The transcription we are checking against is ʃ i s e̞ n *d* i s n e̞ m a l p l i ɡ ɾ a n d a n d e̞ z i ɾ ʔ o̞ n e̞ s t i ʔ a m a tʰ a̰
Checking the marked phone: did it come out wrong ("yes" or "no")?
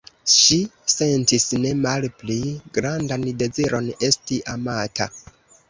yes